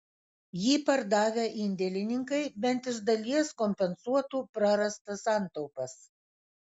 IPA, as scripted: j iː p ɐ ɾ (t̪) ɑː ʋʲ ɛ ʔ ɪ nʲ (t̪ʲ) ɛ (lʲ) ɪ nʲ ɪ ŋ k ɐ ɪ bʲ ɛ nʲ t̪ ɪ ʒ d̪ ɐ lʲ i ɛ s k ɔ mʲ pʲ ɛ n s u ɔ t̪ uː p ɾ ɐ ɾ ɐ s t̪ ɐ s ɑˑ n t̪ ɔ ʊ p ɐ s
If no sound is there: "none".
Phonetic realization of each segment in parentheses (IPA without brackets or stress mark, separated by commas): d̪, d̪ʲ, lʲ